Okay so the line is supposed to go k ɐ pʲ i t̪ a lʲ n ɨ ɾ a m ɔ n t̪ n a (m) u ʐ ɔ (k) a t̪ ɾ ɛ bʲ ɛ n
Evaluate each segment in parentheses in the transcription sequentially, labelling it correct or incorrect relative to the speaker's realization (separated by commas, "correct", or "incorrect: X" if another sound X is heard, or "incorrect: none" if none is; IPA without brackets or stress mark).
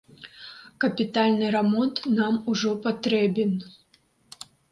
correct, incorrect: p